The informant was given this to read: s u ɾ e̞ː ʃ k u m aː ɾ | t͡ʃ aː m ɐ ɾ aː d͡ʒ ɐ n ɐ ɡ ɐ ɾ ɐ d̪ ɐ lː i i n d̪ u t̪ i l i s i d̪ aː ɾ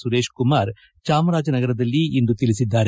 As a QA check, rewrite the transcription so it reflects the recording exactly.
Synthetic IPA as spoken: s u ɾ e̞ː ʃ k u m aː ɾ | t͡ʃ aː m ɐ ɾ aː d͡ʒ ɐ n ɐ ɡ ɐ ɾ ɐ d̪ ɐ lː i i n d̪ u t̪ i l i s i d̪ː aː ɾ